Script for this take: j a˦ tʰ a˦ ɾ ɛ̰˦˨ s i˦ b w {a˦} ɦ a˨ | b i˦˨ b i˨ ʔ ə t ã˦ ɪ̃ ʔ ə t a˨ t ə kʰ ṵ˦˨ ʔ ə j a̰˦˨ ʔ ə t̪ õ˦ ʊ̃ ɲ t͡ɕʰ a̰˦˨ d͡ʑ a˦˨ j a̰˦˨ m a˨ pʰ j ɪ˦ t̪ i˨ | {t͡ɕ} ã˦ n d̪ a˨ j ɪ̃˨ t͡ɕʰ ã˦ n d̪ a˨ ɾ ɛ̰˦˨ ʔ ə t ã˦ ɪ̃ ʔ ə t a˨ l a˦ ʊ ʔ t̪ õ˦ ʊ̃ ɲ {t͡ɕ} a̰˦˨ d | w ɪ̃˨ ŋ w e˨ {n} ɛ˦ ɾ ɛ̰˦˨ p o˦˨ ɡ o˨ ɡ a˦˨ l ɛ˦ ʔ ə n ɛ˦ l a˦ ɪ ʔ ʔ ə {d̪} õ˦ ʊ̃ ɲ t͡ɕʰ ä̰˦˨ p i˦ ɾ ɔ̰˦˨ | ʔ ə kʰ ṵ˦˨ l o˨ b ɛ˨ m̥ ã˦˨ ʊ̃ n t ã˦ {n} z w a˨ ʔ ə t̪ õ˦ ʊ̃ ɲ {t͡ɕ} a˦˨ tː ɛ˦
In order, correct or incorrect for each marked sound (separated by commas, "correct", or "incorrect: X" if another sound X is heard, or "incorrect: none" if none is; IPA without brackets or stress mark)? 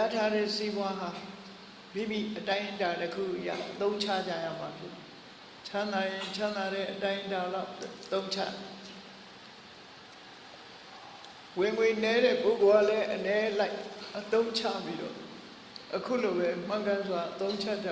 correct, incorrect: t͡ɕʰ, incorrect: t͡ɕʰ, correct, incorrect: t̪, correct, incorrect: t͡ɕʰ